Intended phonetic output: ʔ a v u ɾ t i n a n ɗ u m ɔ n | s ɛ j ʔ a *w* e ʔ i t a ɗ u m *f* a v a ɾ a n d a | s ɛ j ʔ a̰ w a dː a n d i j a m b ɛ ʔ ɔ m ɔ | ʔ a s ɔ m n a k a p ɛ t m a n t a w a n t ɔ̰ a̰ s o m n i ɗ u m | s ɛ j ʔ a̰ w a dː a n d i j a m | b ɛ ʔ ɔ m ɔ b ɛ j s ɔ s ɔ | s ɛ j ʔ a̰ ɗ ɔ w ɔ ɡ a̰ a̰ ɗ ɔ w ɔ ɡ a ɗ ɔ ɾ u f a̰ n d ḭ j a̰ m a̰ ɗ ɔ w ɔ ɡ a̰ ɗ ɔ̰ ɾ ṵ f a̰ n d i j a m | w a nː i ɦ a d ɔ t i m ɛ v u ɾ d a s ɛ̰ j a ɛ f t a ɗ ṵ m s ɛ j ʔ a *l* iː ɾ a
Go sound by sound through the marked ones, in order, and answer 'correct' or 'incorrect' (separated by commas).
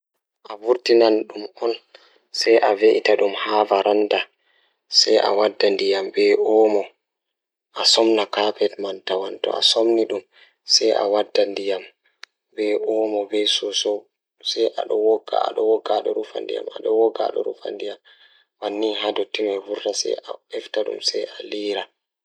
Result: incorrect, incorrect, correct